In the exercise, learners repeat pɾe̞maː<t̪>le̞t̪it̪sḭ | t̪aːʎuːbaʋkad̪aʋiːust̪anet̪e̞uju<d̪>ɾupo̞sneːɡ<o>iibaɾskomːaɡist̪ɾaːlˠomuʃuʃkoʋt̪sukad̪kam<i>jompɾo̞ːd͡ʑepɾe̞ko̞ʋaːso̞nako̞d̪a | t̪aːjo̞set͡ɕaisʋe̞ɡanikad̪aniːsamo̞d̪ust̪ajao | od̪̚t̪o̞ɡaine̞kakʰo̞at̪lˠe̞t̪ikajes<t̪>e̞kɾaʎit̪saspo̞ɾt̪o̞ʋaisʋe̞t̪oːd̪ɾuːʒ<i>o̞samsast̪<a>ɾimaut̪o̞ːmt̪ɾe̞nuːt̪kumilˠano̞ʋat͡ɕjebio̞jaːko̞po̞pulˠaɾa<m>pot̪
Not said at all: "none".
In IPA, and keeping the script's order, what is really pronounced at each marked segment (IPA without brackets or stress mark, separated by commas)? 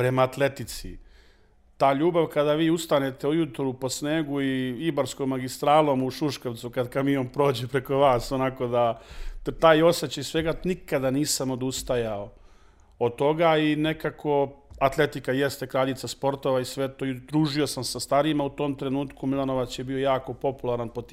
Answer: t̪, t̪, u, i, t̪, i, a, n